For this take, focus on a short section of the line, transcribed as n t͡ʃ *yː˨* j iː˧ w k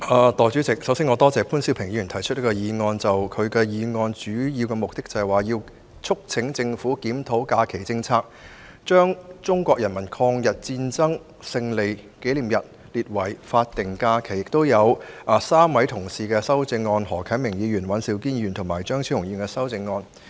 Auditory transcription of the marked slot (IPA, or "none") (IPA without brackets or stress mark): yː˨˥